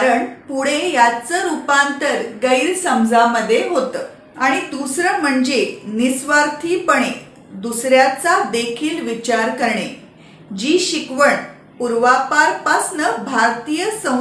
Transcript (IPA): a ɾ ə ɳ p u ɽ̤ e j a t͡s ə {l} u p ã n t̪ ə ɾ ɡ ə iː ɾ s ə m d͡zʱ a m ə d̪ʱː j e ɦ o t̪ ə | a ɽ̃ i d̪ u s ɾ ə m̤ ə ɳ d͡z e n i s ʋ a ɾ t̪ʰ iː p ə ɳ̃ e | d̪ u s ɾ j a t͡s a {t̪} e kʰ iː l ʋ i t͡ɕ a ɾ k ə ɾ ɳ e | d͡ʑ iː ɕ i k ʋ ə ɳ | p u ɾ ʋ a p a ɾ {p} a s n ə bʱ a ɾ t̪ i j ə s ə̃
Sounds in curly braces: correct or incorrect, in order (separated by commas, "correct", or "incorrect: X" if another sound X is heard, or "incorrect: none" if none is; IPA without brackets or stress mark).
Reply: incorrect: ɾ, incorrect: d̪, correct